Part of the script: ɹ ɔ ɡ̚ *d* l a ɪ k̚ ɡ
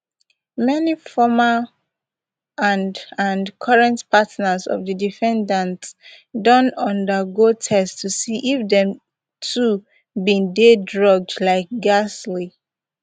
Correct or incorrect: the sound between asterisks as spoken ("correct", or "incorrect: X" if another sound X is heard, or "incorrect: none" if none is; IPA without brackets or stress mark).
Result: correct